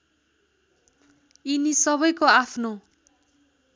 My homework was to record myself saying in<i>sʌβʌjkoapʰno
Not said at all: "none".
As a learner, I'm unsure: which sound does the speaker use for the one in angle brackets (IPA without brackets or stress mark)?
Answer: i